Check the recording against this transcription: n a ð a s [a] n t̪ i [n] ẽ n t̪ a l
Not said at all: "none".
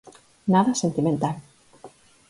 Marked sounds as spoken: e, m

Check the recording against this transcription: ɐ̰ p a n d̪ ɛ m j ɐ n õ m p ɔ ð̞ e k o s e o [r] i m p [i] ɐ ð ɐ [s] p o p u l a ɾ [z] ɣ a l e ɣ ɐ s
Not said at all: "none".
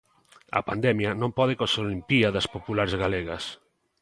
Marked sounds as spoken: l, i, s, z

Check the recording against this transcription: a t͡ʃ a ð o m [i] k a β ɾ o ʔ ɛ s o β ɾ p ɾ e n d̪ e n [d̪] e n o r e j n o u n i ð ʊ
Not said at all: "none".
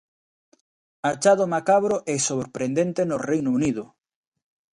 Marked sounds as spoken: a, t̪

